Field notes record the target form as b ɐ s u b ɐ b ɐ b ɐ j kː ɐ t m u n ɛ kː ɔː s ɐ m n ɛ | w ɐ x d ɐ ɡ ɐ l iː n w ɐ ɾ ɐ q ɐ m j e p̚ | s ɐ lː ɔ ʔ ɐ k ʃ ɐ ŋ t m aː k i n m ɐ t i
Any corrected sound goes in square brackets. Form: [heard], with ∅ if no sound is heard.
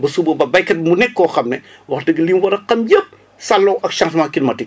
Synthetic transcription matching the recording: b ɐ s u b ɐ b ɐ b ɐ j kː ɐ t m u n ɛ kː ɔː [x] ɐ m n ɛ | w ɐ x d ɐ ɡ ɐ l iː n w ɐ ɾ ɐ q ɐ m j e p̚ | s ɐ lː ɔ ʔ ɐ k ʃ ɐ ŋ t m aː k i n m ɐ t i